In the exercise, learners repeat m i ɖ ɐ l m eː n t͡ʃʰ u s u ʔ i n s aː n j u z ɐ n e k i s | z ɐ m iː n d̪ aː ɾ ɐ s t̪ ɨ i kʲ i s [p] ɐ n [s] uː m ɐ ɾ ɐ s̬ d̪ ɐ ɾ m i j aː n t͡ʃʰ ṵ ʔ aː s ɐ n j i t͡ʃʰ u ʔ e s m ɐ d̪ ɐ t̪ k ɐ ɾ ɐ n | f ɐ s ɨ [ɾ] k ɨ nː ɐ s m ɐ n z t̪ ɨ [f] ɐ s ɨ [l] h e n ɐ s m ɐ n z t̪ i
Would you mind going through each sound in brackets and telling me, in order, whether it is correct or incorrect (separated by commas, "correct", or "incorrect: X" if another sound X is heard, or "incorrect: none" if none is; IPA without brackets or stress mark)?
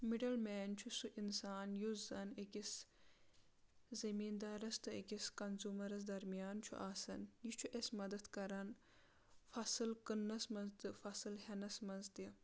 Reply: incorrect: k, incorrect: z, incorrect: l, correct, correct